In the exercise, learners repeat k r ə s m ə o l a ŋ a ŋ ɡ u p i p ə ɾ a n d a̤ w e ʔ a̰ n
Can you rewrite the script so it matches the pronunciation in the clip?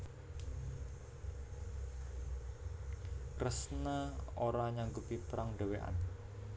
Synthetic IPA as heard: k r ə s n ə o ɾ a ɲ a ŋ ɡ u p i p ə ɾ a ŋ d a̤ w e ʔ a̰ n